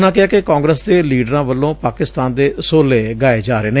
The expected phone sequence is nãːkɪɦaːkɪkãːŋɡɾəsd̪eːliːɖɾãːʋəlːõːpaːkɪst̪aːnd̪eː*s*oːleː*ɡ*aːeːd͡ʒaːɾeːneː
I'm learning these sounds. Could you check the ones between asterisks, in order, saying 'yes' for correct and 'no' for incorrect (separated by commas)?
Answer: yes, yes